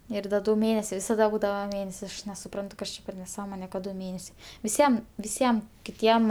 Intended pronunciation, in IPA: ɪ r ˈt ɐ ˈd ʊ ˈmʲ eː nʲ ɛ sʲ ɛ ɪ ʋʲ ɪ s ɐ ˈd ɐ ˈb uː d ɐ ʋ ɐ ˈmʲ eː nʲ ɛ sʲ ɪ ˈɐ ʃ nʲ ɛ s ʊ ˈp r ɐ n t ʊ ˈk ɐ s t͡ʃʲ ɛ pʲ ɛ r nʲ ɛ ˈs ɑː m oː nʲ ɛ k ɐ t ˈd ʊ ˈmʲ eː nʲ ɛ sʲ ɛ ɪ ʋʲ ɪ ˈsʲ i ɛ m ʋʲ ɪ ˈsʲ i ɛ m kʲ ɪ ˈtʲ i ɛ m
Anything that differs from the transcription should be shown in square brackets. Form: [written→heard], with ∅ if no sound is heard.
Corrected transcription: ɪ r [ˈt→ˈd] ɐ ˈd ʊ ˈmʲ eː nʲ ɛ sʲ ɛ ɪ ʋʲ ɪ s ɐ ˈd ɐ ˈb uː d ɐ ʋ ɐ ˈmʲ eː nʲ ɛ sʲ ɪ ˈɐ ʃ nʲ ɛ s ʊ ˈp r ɐ n t ʊ ˈk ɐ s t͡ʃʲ ɛ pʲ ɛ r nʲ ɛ ˈs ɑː m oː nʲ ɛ k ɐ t ˈd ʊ ˈmʲ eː nʲ ɛ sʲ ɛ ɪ ʋʲ ɪ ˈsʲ i ɛ m ʋʲ ɪ ˈsʲ i ɛ m kʲ ɪ ˈtʲ i ɛ m